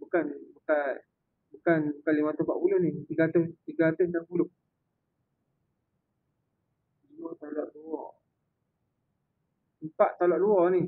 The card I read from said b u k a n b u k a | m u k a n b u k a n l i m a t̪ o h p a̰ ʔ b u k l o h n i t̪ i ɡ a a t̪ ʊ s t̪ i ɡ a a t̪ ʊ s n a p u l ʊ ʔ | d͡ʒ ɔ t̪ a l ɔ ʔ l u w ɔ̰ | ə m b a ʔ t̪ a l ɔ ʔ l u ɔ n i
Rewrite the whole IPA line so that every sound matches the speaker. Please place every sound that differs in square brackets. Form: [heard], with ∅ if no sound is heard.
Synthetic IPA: b u k a n b u k a | [b] u k a n b u k a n l i m a t̪ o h p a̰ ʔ [p] u [∅] l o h n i t̪ i ɡ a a t̪ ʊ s t̪ i ɡ a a t̪ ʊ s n a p u l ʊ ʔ | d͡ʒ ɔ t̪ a l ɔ ʔ l u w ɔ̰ | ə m [p] a ʔ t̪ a l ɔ ʔ l u ɔ n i